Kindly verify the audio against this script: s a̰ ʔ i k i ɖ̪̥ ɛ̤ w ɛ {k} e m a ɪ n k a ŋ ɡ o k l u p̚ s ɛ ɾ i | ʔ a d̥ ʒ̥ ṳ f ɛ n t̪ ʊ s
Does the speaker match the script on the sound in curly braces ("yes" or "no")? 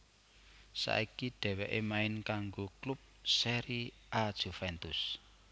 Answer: no